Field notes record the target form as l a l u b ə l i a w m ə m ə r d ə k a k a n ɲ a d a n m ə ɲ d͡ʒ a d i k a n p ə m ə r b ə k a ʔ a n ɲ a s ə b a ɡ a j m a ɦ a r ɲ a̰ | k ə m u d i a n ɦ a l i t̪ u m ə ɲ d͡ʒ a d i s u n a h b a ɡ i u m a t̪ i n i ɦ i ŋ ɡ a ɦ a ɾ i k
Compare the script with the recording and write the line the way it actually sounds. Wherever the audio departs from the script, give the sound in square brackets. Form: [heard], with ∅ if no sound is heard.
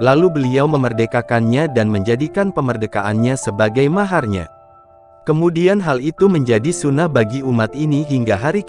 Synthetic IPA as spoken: l a l u b ə l i a w m ə m ə r d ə k a k a n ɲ a d a n m ə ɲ d͡ʒ a d i k a n p ə m ə r [d] ə k a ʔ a n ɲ a s ə b a ɡ a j m a ɦ a r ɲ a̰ | k ə m u d i a n ɦ a l i t̪ u m ə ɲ d͡ʒ a d i s u n a h b a ɡ i u m a t̪ i n i ɦ i ŋ ɡ a ɦ a ɾ i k